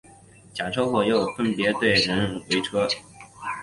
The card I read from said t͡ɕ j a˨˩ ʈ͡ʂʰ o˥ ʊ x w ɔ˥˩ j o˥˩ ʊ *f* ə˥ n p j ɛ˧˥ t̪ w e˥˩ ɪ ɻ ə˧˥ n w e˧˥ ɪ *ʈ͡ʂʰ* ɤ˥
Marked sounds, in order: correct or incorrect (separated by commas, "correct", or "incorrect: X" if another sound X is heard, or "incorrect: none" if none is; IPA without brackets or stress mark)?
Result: correct, correct